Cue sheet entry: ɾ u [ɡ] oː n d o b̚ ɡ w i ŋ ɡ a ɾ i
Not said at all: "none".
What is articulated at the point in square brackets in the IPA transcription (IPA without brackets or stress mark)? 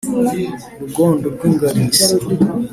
ɡ